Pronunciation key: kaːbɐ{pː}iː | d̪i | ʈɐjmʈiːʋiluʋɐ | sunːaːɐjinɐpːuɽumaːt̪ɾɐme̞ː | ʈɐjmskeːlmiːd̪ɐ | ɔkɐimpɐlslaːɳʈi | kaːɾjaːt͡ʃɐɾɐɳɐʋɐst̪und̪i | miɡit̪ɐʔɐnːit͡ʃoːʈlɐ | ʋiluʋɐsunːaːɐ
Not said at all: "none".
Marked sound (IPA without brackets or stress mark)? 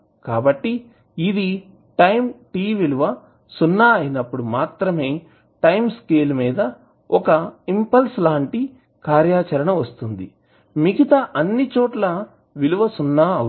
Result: ʈː